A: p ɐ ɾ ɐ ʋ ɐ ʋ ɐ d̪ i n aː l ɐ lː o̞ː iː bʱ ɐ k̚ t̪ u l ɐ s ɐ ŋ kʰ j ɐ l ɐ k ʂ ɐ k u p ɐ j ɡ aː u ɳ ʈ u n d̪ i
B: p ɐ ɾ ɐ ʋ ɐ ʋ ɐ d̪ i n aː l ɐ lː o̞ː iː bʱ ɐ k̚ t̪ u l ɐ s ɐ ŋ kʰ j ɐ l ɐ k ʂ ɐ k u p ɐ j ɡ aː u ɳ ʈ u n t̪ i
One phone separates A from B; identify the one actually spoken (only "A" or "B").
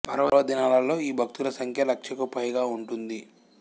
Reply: A